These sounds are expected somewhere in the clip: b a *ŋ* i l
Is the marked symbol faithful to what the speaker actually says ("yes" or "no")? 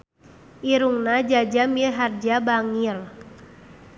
yes